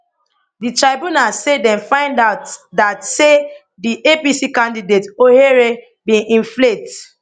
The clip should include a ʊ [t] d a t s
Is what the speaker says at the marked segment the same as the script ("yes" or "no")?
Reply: yes